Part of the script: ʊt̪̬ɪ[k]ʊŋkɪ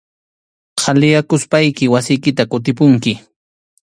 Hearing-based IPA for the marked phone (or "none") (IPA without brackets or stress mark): p